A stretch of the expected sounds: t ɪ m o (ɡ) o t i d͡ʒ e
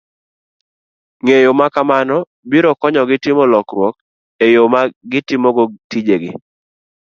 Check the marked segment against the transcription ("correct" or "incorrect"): correct